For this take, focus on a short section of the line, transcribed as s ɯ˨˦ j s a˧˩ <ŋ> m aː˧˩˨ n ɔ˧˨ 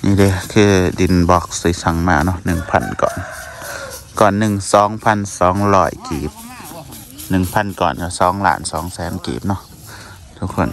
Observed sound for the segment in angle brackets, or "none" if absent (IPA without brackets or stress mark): ŋ